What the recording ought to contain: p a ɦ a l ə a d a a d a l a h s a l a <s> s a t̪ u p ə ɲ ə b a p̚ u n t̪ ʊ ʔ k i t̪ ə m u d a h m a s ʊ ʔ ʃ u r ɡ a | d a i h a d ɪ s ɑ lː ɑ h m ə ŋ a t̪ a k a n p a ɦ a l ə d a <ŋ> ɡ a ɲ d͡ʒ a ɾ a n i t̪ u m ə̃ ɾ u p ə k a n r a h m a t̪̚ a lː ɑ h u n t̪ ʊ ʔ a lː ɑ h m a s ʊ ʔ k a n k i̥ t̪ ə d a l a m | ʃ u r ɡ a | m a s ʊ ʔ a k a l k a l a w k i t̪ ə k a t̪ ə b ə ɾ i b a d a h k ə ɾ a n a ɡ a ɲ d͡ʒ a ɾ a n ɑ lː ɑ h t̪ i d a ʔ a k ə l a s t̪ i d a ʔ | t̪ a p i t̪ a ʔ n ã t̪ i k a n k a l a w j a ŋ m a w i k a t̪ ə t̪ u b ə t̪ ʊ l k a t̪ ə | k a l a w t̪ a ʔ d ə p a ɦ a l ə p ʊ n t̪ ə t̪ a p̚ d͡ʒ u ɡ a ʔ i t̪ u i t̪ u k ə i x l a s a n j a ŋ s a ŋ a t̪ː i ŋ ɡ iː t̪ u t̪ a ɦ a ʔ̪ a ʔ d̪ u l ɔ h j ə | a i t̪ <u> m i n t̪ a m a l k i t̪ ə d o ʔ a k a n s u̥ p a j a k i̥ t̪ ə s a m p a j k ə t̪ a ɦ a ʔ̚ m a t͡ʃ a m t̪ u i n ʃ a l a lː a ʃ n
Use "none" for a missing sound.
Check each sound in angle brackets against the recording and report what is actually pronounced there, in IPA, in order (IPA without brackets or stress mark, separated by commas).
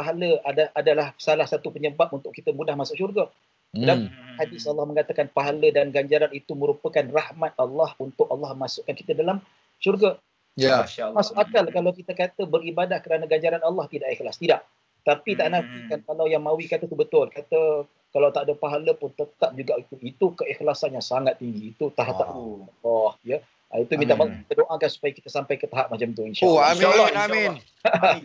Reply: h, n, u